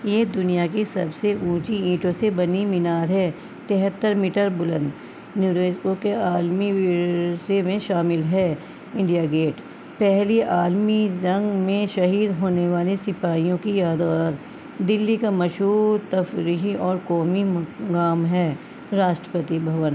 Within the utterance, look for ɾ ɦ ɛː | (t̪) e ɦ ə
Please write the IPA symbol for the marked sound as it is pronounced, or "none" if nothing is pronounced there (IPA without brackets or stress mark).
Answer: t̪